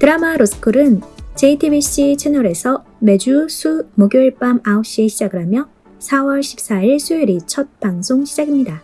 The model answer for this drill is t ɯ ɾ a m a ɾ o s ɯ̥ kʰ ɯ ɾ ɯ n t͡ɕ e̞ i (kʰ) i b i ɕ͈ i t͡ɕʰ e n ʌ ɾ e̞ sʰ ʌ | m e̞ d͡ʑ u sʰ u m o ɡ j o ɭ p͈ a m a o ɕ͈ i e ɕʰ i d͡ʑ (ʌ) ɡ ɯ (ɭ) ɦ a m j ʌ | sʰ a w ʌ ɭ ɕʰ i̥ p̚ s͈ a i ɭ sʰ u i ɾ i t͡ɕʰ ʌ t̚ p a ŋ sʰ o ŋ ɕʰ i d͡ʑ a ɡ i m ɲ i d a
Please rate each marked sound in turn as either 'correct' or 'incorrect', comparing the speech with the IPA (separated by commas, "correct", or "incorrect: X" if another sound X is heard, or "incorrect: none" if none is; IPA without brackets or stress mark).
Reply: incorrect: tʰ, incorrect: a, incorrect: ɾ